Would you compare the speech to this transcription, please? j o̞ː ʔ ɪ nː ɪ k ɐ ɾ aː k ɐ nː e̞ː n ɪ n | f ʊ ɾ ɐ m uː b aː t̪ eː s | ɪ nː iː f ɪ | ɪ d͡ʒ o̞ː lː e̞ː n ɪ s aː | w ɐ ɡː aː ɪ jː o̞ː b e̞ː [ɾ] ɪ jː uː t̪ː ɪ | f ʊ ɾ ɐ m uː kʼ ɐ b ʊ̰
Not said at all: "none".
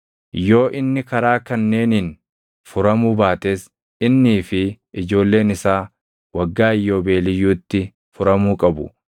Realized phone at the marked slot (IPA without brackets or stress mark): l